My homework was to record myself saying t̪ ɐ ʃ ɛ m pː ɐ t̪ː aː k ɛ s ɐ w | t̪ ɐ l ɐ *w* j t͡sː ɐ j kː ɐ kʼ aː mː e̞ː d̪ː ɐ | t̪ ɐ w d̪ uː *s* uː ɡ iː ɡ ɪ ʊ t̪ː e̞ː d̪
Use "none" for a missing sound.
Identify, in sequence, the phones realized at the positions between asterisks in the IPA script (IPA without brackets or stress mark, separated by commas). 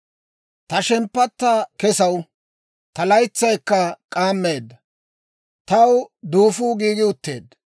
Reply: none, f